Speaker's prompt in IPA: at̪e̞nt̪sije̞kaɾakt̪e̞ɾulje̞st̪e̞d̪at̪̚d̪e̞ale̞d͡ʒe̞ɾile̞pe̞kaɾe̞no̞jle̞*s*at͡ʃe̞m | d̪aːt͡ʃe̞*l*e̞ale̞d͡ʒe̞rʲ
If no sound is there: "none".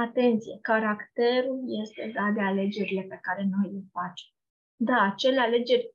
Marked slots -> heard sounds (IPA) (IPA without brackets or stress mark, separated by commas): f, l